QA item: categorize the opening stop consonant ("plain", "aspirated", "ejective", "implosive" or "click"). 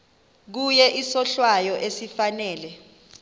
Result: plain